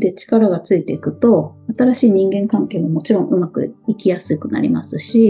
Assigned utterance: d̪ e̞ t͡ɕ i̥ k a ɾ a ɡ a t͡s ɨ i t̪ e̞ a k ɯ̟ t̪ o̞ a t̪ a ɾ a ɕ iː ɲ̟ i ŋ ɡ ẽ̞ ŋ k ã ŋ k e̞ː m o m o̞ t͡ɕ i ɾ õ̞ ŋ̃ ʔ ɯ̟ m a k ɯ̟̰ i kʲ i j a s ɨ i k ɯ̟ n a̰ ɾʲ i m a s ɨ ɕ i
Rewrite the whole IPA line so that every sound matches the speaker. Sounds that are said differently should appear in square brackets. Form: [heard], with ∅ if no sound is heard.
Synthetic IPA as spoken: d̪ e̞ t͡ɕ i̥ k a ɾ a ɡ a t͡s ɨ i t̪ e̞ [i] k ɯ̟ t̪ o̞ a t̪ a ɾ a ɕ iː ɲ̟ [ĩ] ŋ ɡ ẽ̞ ŋ k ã ŋ k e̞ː m o m o̞ t͡ɕ i ɾ õ̞ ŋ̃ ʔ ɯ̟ m a k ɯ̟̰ i kʲ i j a s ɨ i k ɯ̟ n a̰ ɾʲ i m a s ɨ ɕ i